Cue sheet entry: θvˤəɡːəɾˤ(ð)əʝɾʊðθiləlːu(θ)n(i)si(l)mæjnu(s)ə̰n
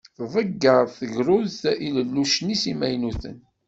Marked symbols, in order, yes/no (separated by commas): no, no, yes, no, no